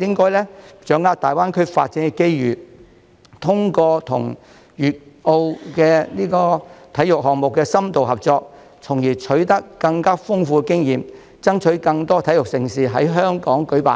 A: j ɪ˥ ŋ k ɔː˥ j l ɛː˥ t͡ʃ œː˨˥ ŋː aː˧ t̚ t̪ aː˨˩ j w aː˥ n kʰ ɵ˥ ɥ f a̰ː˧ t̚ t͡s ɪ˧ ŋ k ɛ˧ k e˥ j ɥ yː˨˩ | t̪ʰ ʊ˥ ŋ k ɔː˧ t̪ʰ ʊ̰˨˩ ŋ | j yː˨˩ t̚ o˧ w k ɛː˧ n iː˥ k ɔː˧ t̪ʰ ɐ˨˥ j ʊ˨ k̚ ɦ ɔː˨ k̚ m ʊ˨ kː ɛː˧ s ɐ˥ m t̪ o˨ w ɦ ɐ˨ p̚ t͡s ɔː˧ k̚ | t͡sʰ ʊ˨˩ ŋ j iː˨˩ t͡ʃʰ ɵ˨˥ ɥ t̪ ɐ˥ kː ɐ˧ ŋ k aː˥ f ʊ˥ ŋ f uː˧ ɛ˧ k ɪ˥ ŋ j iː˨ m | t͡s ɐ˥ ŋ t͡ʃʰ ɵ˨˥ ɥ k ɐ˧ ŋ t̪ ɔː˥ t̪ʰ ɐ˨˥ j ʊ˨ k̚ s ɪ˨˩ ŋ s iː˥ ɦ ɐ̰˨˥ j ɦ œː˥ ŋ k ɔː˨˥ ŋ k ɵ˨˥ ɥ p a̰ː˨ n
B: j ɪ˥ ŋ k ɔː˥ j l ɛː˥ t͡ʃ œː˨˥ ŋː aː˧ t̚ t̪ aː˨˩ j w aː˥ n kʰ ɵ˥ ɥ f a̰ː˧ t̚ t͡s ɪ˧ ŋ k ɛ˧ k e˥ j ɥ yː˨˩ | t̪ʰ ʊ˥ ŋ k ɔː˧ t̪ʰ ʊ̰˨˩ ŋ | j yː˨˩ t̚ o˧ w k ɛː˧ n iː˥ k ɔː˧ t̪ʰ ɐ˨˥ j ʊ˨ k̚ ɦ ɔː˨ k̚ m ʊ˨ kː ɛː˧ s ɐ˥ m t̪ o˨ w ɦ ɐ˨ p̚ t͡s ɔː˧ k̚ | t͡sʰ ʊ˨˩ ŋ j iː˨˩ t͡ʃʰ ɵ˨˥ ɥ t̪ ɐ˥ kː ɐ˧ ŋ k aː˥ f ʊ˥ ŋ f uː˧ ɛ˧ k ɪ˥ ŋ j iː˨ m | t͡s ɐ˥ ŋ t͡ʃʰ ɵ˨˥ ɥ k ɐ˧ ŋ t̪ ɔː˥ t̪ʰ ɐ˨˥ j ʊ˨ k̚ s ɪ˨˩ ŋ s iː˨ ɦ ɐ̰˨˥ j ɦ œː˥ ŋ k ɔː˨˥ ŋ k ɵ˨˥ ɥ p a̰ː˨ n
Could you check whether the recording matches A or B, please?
B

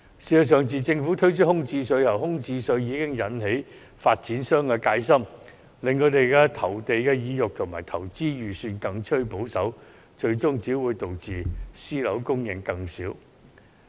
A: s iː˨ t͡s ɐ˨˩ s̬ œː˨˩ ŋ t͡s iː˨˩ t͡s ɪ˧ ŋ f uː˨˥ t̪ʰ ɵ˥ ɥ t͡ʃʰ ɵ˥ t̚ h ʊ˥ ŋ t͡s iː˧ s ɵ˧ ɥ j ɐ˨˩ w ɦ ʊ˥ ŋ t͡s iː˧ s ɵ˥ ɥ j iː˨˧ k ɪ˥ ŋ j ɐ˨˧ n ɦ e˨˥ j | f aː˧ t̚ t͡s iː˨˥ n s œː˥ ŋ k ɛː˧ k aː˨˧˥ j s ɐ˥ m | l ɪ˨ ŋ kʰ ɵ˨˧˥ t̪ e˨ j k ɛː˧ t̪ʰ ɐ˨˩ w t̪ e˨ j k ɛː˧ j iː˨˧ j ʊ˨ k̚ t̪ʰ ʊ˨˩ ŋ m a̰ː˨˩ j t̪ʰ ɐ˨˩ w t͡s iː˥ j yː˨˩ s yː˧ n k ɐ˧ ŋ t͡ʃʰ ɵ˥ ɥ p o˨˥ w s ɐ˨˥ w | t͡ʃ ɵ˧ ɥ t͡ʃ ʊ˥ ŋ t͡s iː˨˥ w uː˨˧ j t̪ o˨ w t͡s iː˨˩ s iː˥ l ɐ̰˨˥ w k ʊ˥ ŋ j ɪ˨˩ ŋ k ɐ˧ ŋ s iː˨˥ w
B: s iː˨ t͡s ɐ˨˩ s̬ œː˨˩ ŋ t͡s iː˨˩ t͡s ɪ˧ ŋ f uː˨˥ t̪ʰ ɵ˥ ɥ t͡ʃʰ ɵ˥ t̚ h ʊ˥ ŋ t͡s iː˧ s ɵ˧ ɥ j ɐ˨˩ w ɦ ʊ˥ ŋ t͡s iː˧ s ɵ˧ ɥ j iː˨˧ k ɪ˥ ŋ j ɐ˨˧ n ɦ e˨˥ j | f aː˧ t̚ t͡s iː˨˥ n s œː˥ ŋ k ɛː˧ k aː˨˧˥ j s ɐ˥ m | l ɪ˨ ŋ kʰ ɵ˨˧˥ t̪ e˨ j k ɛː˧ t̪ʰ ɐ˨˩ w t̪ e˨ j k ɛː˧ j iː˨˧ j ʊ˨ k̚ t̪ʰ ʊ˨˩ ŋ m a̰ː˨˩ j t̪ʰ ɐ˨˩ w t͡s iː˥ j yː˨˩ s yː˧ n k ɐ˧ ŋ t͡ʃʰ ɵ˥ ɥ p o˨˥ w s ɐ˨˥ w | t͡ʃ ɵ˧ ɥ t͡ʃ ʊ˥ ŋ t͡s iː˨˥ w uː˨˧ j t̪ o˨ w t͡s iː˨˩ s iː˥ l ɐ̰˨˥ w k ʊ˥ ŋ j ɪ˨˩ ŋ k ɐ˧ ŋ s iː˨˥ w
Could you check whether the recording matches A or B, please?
B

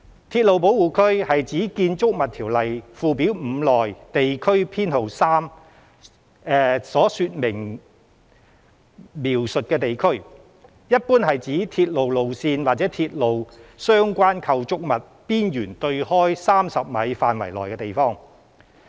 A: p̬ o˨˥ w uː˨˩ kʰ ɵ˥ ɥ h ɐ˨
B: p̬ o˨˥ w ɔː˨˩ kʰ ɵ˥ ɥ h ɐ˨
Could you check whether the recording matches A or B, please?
A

